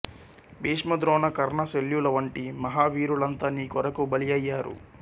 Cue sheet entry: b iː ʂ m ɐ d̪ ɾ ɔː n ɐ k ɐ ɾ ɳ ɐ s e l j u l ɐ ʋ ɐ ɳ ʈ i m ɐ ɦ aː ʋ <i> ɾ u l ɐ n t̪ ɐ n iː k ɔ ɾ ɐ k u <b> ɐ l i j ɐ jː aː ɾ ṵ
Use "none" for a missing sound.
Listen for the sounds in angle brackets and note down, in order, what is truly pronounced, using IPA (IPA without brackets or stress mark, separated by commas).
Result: iː, b